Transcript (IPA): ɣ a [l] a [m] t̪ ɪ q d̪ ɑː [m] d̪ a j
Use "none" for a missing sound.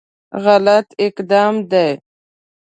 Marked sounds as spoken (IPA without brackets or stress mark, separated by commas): l, none, m